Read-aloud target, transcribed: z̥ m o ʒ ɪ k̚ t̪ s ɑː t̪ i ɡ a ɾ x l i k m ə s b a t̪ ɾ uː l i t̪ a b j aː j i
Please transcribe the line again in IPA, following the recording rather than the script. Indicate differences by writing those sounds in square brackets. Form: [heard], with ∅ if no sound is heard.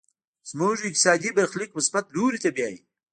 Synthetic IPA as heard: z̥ m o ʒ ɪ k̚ t̪ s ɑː [d̪] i [b] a ɾ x l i k m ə s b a t̪ [l] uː [ɾ] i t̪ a b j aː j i